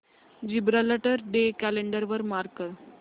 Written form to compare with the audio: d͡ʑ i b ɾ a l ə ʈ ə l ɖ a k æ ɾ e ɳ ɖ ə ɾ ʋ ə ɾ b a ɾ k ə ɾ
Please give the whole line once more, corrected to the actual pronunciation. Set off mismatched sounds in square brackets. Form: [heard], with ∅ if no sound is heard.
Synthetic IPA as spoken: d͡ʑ i b ɾ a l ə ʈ ə [ɾ] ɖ [e] k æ [l] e ɳ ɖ ə ɾ ʋ ə ɾ [m] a ɾ k ə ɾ